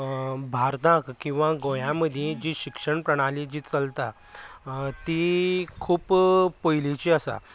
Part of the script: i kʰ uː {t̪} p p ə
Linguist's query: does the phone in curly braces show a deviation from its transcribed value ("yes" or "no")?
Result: yes